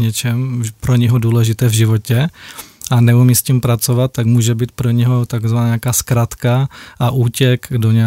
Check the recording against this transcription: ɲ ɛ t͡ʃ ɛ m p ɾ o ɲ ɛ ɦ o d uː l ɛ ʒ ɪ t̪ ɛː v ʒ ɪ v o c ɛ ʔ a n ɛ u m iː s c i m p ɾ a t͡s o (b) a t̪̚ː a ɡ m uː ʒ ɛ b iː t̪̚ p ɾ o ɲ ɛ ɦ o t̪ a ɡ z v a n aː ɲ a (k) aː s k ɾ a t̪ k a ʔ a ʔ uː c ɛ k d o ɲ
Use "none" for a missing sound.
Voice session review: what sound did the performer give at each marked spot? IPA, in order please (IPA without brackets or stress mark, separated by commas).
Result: v, k